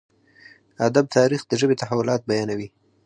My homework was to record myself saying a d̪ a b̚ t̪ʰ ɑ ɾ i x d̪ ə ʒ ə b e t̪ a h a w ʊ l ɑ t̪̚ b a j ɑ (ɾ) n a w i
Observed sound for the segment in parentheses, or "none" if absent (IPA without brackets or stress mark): none